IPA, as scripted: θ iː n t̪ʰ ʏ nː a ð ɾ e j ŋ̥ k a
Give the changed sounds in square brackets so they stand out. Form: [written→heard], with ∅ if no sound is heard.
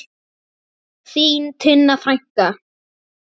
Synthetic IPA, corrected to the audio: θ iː n t̪ʰ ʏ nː a [ð→θ] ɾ [e→a] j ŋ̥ k a